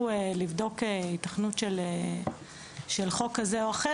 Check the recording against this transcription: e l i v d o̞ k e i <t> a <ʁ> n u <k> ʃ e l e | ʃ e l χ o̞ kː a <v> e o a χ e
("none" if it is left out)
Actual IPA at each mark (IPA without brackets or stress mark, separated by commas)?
t, χ, t, z